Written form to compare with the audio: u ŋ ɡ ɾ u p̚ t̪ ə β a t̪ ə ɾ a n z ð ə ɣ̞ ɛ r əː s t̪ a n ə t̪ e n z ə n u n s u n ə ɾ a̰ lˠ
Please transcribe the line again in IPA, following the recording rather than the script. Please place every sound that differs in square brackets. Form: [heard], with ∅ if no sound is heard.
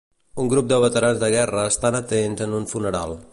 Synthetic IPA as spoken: u ŋ ɡ ɾ u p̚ [d̪] ə β [ə] t̪ ə ɾ a n z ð ə ɣ̞ ɛ r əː s t̪ a n ə t̪ e n z ə n u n [f] u n ə ɾ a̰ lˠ